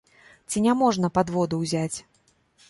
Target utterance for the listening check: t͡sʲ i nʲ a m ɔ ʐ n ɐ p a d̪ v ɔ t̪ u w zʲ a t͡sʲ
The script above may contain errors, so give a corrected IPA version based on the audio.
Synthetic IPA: t͡sʲ i nʲ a m ɔ ʐ n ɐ p a d̪ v ɔ d̪ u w zʲ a t͡sʲ